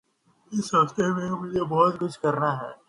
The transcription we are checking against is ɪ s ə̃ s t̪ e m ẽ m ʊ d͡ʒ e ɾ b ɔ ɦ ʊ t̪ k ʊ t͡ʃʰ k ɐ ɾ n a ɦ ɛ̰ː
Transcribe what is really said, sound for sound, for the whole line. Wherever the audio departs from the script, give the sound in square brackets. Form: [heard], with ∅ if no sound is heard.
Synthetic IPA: ɪ s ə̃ s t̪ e m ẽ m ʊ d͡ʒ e [∅] b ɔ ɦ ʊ t̪ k ʊ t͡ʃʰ k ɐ ɾ n a ɦ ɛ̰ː